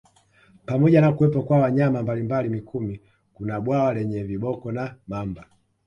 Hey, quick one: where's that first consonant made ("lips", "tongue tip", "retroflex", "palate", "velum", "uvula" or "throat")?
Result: lips